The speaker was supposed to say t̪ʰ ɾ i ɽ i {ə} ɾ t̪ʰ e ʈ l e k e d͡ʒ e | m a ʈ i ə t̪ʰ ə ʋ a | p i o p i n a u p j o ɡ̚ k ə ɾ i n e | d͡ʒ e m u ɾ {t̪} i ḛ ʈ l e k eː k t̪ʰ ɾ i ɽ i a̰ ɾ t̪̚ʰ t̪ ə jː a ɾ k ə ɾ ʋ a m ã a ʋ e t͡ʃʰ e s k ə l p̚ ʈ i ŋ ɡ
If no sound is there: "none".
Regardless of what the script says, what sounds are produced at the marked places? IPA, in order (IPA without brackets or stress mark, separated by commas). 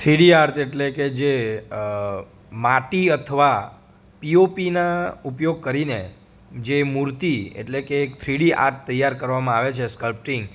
a, t̪